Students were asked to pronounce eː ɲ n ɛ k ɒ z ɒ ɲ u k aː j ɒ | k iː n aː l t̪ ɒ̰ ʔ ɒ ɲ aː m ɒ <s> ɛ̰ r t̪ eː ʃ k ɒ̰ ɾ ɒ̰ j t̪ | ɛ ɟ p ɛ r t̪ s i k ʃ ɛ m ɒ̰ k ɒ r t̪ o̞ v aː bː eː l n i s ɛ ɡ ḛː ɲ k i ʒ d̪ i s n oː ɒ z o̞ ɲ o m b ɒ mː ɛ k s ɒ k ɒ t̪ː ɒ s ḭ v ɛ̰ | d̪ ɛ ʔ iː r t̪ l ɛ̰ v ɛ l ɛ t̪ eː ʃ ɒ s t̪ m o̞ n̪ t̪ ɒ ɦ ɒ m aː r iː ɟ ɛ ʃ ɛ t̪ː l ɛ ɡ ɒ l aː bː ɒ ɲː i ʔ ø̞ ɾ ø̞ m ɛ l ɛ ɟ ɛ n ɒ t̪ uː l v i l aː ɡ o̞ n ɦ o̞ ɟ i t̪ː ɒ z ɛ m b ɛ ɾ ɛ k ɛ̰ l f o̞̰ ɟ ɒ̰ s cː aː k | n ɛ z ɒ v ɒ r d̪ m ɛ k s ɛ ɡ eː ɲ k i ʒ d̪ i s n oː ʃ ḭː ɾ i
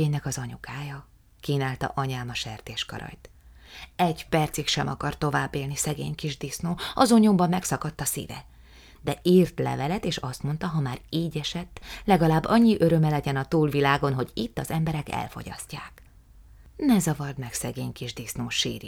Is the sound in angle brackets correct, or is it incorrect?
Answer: incorrect